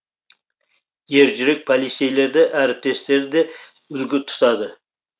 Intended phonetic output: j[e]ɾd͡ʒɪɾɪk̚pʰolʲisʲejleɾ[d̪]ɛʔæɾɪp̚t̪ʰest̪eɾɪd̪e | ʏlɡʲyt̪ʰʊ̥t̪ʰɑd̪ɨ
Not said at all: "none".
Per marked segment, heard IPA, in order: e, d̪

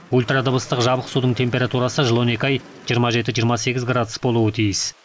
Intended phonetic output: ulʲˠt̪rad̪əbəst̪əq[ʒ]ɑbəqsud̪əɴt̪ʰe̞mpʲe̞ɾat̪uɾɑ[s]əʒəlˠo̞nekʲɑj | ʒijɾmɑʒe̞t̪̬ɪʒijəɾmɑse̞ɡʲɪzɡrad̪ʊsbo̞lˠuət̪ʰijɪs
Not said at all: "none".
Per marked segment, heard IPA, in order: ʒ, s

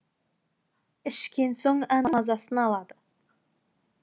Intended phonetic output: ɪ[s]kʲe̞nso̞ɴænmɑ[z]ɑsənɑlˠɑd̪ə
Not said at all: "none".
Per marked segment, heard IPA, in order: ʃ, z

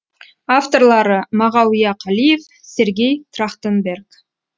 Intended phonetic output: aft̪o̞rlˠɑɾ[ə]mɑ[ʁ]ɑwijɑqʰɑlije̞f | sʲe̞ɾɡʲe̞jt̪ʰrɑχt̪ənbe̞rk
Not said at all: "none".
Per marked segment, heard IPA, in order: ə, ʁ

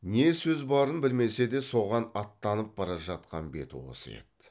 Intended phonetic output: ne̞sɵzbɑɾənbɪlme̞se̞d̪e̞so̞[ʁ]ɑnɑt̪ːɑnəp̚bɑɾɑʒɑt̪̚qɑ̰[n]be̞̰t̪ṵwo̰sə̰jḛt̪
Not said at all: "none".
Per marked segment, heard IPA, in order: ʁ, n

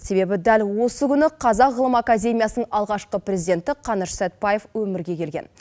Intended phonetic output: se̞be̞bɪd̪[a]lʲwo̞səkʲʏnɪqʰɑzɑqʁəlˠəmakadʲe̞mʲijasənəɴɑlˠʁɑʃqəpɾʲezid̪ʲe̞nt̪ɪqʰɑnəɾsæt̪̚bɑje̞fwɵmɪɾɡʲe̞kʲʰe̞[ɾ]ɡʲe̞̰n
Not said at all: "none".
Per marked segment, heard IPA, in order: æ, l

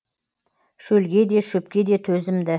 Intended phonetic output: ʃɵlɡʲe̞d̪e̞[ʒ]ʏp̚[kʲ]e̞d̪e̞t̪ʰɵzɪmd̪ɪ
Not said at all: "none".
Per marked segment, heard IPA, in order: ʃ, kʲ

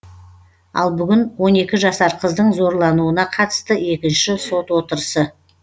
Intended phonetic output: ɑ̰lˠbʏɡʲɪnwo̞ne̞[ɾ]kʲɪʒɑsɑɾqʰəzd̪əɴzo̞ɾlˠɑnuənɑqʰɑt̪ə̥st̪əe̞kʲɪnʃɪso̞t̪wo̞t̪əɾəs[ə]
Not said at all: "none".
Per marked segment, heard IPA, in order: none, ə

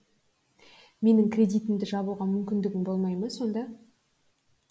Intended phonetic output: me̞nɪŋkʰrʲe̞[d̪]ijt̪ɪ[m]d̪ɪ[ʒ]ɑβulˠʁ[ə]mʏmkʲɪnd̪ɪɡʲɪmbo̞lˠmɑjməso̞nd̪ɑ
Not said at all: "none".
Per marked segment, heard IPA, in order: d̪, m, ʒ, ɑ

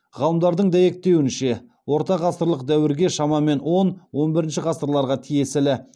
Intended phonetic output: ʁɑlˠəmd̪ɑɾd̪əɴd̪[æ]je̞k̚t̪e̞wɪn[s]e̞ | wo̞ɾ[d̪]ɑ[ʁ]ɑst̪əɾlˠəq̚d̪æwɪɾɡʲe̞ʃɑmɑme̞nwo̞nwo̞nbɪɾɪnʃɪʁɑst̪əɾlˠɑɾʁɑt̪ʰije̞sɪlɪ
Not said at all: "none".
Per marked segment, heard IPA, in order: æ, ʃ, t̪, ʁ

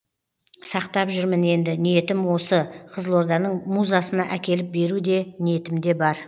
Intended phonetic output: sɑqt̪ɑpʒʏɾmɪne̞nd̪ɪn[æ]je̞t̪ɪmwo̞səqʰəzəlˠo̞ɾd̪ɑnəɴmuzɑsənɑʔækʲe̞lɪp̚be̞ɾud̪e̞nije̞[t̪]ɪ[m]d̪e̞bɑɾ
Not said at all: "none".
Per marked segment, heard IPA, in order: i, t̪, m

